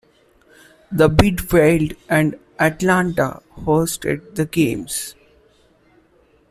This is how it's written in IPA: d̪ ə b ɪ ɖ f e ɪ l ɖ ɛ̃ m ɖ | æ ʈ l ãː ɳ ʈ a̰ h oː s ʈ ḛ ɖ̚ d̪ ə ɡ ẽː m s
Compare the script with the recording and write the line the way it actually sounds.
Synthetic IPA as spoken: d̪ ə b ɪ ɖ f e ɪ l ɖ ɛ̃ ɳ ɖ | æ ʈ l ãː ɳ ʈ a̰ h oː s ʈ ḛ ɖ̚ d̪ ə ɡ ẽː m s